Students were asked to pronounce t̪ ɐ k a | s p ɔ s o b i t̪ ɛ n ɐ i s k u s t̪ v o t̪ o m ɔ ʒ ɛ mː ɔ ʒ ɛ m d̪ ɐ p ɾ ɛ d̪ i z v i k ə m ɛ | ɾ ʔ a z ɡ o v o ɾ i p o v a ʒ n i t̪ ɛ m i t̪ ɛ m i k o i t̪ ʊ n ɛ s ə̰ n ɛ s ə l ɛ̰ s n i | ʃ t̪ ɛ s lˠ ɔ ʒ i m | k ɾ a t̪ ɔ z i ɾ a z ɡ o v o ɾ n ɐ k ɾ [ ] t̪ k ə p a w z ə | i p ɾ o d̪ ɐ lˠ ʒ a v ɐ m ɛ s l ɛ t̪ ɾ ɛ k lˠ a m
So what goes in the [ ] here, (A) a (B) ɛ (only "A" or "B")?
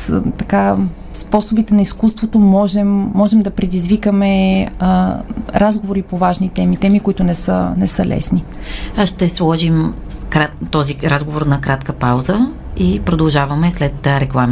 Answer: A